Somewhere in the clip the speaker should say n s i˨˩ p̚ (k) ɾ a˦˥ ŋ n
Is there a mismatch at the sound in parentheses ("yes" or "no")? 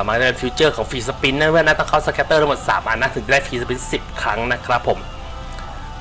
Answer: yes